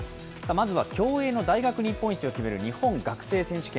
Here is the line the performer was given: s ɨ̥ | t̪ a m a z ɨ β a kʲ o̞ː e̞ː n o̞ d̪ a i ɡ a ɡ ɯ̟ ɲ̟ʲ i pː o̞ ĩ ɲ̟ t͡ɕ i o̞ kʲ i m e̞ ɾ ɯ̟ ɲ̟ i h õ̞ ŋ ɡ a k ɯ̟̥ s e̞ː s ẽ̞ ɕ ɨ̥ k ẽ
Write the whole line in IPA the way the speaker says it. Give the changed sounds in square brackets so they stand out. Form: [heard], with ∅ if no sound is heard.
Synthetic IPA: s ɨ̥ | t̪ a m a z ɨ β a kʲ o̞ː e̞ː n o̞ d̪ a i ɡ a [k] ɯ̟ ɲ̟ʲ i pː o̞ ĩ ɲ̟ t͡ɕ i o̞ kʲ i m e̞ ɾ ɯ̟ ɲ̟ i h õ̞ ŋ ɡ a k ɯ̟̥ s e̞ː s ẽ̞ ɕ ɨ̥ k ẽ